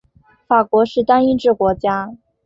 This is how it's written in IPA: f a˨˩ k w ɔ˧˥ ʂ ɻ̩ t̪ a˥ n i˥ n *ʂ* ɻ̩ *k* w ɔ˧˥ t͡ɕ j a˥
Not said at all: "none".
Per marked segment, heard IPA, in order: ʈ͡ʂ, k

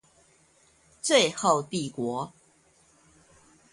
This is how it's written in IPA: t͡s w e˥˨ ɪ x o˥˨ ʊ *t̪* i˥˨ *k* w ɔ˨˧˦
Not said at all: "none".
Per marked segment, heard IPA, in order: t̪, k

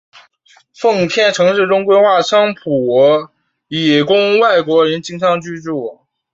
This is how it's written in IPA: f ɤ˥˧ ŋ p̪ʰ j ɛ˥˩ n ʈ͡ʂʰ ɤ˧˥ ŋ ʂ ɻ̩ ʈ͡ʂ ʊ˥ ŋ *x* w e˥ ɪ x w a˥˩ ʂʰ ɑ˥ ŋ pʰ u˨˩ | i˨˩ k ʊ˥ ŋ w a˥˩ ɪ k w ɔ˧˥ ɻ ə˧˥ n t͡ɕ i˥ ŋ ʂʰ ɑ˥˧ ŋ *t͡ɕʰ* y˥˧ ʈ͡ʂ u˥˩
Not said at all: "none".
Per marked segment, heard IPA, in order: k, t͡ɕ

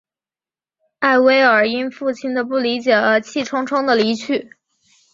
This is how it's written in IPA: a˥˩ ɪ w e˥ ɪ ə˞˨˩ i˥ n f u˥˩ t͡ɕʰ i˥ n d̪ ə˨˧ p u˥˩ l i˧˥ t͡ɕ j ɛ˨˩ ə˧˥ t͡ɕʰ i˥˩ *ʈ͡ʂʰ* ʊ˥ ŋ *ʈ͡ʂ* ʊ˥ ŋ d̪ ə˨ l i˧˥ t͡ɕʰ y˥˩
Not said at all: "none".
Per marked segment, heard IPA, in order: ʈ͡ʂʰ, ʈ͡ʂʰ

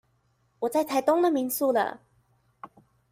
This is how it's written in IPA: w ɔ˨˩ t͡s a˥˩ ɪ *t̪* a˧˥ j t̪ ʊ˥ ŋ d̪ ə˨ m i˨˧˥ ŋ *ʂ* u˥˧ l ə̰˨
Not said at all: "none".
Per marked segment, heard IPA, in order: t̪ʰ, s

